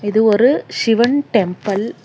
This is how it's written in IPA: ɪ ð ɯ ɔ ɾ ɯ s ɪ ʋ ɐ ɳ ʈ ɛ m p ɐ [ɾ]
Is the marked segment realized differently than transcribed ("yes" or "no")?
yes